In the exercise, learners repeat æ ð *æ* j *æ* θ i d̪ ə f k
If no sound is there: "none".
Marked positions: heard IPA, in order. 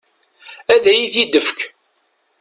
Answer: æ, i

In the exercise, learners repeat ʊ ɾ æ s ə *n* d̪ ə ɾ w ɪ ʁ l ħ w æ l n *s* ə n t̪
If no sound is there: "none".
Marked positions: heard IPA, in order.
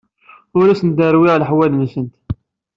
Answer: n, s

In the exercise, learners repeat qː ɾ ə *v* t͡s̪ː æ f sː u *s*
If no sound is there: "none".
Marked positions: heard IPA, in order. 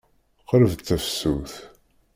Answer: v, θ

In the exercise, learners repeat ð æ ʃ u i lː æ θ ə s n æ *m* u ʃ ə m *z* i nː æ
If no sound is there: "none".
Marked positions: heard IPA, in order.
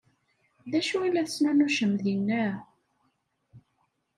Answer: n, ð

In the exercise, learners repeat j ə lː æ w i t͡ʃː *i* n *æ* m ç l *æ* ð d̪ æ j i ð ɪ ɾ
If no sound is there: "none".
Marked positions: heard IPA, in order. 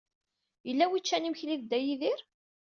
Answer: æ, i, i

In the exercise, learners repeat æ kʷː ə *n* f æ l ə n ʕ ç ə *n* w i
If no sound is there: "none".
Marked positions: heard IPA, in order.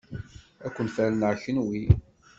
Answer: n, n

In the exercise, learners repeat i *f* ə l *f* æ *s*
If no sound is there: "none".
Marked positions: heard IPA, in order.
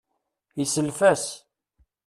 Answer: s, f, s

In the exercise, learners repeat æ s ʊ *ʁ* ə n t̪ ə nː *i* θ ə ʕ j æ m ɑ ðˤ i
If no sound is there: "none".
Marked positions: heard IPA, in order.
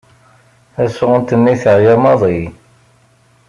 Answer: ʁ, i

